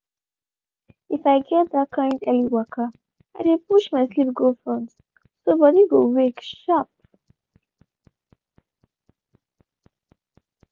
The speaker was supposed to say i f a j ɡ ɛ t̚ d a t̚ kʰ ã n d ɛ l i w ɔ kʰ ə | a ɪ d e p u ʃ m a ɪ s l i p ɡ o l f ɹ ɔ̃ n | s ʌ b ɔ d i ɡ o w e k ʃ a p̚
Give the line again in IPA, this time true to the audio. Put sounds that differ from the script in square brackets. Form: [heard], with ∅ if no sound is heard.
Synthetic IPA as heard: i f a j ɡ ɛ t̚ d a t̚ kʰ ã n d ɛ l i w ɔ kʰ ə | a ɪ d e p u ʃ m a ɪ s l i p ɡ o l f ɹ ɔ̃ n | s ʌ b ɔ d i ɡ o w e k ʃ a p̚